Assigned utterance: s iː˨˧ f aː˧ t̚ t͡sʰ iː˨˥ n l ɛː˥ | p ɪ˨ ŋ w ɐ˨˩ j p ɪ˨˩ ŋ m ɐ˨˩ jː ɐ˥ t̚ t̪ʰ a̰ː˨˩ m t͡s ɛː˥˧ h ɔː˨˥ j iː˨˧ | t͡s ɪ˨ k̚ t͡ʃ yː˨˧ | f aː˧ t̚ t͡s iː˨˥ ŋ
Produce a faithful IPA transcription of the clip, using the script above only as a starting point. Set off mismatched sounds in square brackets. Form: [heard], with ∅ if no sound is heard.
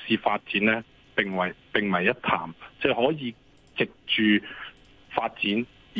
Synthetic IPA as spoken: s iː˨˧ f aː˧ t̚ [t͡s] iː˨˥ n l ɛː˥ | p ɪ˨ ŋ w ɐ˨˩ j p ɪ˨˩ ŋ m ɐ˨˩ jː ɐ˥ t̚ t̪ʰ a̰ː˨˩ m t͡s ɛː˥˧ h ɔː˨˥ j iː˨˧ | t͡s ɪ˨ k̚ t͡ʃ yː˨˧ | f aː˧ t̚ t͡s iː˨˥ [n]